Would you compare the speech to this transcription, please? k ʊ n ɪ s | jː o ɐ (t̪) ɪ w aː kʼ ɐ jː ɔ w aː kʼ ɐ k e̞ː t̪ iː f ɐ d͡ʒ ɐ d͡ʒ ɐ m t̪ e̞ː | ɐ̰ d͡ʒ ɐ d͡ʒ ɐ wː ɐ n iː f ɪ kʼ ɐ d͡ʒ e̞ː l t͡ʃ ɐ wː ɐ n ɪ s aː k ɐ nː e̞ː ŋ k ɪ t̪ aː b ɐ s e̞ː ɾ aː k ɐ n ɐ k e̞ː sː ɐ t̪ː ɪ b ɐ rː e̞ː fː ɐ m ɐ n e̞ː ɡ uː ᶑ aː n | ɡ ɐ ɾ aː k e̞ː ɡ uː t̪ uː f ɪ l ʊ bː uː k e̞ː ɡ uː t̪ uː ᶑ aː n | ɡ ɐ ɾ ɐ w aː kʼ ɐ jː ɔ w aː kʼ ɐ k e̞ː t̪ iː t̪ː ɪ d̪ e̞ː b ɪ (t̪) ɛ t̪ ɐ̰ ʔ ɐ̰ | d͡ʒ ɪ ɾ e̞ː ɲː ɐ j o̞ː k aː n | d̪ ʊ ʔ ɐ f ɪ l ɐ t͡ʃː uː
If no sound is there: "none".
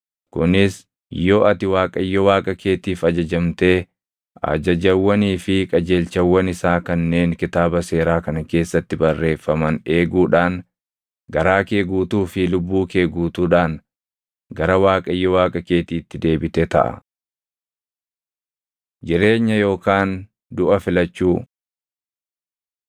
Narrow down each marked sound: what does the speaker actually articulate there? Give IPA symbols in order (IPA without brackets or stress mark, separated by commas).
t̪, t̪